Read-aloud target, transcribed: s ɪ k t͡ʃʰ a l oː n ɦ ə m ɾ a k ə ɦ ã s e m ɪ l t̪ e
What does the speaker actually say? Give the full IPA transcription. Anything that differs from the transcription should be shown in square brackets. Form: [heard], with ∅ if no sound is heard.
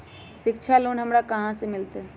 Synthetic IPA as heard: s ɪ k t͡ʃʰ a l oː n ɦ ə m ɾ a k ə ɦ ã s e m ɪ l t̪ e